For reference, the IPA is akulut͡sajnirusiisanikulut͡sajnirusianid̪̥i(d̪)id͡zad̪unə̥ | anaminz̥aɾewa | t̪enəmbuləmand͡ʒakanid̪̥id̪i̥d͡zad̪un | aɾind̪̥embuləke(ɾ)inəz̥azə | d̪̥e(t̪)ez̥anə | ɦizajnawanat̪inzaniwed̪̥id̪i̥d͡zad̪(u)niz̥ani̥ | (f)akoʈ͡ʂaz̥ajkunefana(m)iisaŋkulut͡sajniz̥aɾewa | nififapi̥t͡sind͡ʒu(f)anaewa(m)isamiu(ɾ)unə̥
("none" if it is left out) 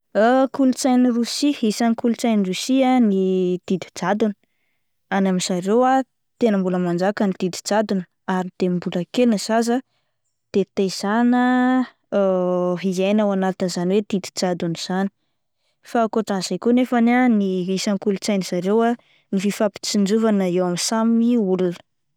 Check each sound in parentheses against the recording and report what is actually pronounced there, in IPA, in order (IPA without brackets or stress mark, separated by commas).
d̪, l, t̪, u, f, n, v, m, l